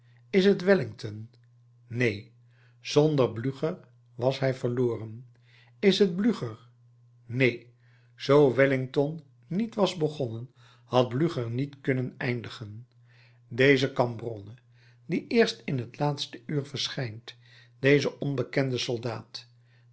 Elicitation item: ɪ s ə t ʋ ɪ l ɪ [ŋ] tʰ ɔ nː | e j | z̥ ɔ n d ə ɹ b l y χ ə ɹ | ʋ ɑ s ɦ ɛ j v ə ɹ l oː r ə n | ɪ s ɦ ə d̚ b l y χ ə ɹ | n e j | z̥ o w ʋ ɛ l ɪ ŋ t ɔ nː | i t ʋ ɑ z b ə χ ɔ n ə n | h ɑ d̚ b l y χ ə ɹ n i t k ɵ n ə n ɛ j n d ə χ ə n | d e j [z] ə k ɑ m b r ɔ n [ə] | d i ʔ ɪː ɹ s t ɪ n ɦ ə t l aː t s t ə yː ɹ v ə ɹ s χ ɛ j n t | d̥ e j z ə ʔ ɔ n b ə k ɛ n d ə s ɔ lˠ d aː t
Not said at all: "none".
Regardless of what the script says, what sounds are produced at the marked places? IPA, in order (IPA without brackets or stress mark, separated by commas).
ŋ, z, ə